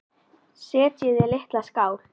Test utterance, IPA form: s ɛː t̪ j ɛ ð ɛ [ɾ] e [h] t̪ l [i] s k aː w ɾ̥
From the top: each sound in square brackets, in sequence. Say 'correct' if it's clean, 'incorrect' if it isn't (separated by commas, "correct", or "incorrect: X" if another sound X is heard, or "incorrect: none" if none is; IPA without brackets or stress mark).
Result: incorrect: l, correct, incorrect: a